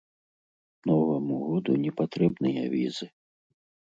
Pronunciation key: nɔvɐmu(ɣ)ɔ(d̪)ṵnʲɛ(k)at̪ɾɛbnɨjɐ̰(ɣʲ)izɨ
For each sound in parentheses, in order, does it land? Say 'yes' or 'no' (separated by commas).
yes, yes, no, no